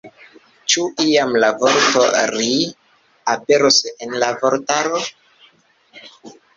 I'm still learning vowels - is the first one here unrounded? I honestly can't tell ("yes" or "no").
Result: no